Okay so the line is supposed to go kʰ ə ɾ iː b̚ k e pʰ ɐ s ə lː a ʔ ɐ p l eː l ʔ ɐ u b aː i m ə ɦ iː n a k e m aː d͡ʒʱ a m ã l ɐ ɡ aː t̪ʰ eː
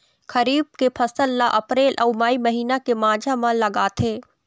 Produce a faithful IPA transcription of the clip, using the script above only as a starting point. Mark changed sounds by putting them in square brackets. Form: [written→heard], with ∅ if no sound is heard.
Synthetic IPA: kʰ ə ɾ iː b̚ k e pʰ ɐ s ə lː a ʔ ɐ p [l→ɾ] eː l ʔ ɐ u [b→m] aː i m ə ɦ iː n a k e m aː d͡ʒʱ a m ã l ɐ ɡ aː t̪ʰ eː